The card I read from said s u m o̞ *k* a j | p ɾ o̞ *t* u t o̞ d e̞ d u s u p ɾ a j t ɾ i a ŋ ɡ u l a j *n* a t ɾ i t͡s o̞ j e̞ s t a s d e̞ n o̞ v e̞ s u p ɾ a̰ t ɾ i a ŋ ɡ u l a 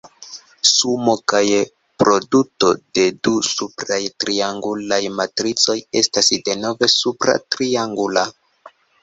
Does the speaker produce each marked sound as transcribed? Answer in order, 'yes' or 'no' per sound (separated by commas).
yes, no, no